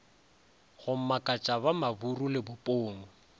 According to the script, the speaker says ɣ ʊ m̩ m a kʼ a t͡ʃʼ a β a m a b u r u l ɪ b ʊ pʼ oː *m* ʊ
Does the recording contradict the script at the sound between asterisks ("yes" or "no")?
yes